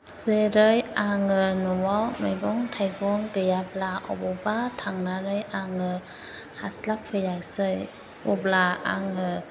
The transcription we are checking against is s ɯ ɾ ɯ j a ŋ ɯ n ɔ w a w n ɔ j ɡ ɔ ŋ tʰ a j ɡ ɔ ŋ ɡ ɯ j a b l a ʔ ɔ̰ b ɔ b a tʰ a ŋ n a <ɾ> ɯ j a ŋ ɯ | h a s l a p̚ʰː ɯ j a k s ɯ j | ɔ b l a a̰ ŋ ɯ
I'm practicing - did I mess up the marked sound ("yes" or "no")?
no